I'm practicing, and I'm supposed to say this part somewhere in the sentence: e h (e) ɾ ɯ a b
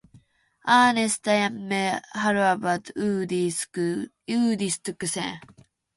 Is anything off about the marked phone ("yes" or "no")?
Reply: yes